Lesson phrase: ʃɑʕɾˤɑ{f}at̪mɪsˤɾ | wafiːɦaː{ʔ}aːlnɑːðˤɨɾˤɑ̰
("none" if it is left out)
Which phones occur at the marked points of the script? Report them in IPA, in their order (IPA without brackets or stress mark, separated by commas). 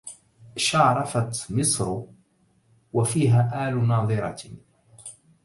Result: f, ʔ